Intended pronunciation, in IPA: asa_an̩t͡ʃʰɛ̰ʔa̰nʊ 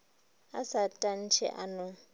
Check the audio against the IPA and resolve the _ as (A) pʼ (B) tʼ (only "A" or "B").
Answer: B